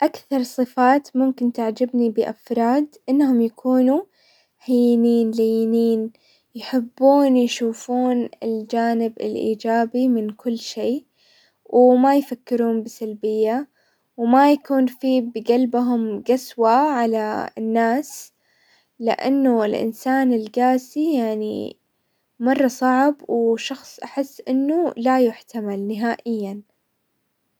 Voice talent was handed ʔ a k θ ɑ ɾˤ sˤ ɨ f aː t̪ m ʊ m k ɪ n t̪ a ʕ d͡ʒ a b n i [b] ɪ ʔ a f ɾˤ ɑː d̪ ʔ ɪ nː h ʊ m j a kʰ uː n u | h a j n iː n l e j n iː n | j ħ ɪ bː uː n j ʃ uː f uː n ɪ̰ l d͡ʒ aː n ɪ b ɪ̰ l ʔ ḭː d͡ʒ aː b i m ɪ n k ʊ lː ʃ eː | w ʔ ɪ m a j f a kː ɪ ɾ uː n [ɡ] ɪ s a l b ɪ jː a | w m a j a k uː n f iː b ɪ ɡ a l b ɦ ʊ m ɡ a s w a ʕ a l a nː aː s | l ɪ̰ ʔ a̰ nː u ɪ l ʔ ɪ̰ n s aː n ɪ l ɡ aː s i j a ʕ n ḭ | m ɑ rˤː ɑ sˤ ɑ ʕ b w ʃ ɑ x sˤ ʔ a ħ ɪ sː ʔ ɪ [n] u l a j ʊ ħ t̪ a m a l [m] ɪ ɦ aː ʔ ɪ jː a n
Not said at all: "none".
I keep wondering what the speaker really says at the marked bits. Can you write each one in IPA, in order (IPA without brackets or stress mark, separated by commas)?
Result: b, b, nː, n